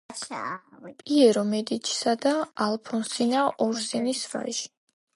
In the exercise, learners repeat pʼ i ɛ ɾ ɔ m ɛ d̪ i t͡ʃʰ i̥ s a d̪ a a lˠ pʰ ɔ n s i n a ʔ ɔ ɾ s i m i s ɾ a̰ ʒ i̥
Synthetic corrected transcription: pʼ i ɛ ɾ ɔ m ɛ d̪ i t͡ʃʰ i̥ s a d̪ a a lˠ pʰ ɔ n s i n a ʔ ɔ ɾ s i n i s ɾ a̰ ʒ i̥